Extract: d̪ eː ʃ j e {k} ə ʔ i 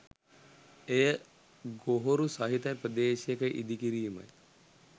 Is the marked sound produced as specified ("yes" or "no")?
yes